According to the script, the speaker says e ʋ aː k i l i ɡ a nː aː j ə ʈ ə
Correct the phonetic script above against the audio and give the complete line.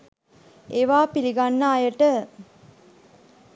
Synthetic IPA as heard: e ʋ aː p i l i ɡ a nː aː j ə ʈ ə